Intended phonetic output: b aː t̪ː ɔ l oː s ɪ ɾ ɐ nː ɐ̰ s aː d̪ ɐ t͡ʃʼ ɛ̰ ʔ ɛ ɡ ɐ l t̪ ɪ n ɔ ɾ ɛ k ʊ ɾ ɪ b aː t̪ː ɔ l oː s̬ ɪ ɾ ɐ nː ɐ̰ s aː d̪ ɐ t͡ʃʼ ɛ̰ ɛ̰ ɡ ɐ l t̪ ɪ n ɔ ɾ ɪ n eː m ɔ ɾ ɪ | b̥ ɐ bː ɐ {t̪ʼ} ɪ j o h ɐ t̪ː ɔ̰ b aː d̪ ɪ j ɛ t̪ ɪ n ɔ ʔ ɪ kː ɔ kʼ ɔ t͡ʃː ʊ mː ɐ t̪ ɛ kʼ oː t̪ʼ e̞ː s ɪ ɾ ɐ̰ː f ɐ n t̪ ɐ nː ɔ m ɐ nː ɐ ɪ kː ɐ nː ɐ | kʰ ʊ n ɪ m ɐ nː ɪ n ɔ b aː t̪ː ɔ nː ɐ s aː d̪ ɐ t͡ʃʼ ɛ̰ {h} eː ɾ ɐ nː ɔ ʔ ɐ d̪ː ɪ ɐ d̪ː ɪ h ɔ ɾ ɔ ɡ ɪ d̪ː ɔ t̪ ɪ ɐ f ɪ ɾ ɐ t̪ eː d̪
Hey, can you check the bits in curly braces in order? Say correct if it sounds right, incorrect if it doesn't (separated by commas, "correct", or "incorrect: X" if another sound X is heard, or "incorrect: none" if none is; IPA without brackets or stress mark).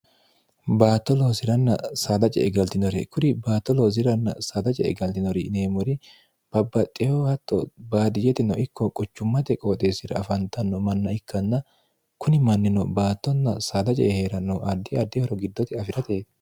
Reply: correct, correct